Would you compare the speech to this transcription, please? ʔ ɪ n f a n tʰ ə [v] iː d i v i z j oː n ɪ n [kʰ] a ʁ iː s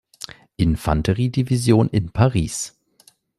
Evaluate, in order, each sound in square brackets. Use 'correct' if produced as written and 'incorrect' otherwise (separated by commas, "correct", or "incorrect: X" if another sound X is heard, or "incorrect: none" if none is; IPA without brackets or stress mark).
incorrect: ʁ, incorrect: pʰ